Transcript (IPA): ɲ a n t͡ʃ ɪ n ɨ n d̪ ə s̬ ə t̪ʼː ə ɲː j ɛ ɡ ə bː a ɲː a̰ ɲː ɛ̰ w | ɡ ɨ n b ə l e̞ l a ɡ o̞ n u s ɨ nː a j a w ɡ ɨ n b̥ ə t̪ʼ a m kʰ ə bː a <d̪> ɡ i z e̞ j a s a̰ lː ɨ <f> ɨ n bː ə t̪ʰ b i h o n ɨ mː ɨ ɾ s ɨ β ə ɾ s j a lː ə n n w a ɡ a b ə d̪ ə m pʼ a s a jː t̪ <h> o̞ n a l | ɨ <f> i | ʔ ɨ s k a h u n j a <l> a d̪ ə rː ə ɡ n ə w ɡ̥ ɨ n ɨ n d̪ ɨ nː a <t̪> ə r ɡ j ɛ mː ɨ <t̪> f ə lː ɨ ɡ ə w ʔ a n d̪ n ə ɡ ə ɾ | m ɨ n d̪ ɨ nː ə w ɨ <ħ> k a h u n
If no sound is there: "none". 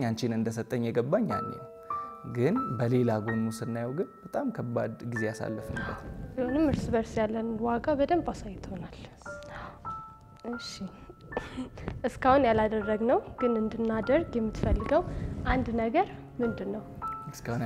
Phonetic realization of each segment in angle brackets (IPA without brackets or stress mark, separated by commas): d̪, f, h, ʃ, l, d̪, t̪, s